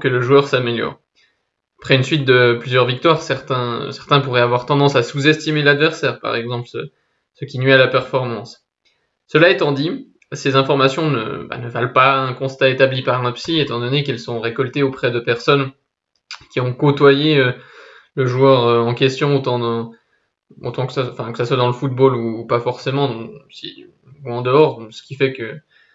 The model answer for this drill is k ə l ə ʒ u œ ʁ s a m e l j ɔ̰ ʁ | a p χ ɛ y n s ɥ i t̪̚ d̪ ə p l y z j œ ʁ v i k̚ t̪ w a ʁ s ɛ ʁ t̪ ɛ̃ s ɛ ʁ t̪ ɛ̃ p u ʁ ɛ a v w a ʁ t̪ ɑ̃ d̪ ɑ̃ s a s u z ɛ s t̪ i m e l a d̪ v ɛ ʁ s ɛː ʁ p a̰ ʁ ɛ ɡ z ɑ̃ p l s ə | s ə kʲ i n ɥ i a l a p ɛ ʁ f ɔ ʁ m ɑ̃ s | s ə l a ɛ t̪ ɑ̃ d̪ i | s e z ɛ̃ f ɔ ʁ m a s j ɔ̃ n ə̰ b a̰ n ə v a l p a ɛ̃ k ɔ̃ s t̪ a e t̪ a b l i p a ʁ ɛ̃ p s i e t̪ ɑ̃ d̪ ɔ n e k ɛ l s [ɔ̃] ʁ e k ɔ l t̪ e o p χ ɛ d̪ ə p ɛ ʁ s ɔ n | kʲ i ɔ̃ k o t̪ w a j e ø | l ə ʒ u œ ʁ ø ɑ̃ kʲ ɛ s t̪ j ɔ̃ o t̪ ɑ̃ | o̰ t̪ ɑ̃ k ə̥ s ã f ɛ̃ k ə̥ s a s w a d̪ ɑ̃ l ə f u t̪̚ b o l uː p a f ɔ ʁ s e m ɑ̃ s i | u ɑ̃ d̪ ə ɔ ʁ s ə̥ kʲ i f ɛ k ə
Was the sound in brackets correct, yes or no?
yes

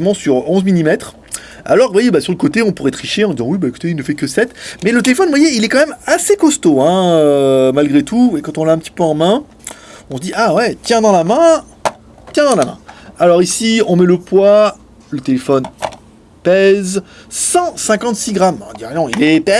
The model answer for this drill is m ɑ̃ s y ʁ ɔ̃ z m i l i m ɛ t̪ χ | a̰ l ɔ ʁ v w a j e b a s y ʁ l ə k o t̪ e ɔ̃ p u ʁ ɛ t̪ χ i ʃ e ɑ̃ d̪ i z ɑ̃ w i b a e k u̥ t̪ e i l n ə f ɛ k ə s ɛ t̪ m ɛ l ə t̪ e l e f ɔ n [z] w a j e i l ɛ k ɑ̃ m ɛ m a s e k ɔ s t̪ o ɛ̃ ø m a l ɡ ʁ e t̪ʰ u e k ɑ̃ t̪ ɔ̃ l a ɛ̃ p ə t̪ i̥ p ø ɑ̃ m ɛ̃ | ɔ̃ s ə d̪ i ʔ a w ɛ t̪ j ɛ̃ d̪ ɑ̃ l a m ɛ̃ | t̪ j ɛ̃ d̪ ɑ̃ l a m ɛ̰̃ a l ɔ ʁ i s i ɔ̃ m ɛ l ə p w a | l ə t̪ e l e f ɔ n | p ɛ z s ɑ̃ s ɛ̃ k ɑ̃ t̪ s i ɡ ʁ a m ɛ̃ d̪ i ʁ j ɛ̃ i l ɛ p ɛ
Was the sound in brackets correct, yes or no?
no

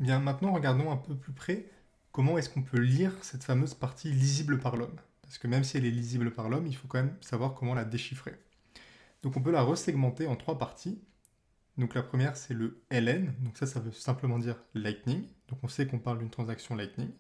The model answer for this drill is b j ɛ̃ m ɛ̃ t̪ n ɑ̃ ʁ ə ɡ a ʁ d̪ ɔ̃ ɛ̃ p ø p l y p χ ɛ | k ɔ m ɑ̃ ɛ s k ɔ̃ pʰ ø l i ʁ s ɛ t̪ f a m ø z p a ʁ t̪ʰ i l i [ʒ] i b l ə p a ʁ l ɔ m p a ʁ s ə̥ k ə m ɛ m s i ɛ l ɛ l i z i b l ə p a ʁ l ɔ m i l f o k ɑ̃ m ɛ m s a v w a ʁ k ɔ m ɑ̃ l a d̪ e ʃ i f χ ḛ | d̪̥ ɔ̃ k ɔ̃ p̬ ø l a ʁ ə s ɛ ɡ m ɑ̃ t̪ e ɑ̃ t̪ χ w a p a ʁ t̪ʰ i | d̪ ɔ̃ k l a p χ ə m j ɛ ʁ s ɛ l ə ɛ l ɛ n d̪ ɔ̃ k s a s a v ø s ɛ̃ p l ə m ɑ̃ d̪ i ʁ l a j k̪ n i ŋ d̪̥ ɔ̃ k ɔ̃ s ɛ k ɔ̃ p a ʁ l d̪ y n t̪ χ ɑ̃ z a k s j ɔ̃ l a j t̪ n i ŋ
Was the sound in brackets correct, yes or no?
no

